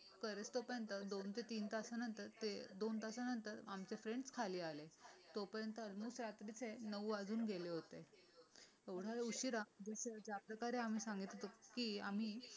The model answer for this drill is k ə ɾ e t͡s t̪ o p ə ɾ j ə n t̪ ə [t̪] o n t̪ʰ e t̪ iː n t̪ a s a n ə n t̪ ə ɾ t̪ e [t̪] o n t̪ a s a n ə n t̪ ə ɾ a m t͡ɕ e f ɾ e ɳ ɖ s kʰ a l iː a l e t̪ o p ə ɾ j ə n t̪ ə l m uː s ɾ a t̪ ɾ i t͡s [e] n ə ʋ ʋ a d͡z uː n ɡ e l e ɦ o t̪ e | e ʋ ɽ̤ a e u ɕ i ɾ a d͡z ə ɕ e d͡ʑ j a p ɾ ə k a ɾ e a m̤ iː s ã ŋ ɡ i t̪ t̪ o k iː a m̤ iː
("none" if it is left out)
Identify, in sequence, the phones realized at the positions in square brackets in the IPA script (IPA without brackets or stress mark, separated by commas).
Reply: d̪, d̪, e